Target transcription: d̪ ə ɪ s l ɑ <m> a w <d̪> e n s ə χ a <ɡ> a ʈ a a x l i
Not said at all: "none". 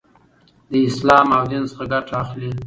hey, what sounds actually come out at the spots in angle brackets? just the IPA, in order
m, d̪, ɡ

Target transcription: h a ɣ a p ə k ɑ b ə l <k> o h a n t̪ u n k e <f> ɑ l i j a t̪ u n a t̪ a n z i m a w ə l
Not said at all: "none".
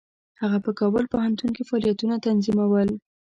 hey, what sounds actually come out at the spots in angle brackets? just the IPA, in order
p, f

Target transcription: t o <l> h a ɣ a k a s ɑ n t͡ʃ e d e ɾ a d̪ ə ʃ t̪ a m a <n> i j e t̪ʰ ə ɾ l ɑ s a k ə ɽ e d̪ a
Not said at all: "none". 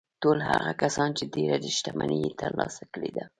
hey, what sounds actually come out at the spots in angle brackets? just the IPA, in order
l, n

